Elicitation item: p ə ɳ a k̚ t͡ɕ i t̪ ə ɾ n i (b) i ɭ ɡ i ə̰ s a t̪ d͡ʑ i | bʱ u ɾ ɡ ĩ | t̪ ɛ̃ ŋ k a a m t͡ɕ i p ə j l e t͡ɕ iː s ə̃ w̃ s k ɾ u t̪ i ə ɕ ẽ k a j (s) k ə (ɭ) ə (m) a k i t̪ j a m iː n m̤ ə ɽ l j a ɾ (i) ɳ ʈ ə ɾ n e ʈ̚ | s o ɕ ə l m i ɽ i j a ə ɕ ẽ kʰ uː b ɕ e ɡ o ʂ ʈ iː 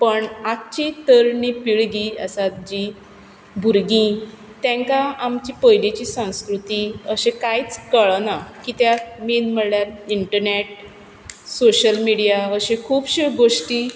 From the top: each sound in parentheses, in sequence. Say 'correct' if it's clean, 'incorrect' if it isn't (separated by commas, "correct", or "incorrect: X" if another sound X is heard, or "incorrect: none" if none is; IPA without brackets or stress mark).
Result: incorrect: p, incorrect: t͡s, correct, incorrect: n, correct